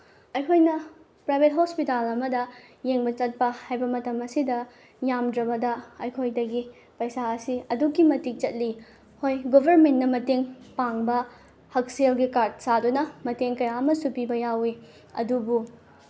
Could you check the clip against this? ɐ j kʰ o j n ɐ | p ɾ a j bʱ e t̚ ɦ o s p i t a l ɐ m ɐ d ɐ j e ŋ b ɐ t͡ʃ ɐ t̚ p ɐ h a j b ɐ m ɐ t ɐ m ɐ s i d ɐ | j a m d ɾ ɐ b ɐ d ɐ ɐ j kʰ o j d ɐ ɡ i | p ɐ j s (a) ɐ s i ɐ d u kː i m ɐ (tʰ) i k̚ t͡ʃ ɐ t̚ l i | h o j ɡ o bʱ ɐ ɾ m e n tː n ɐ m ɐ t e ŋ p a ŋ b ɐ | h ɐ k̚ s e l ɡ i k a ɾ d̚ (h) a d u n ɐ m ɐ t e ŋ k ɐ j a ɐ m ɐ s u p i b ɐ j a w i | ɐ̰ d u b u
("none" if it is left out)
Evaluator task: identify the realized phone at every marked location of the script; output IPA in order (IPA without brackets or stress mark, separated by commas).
a, t, s